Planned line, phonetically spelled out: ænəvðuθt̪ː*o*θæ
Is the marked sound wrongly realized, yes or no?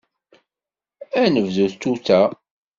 yes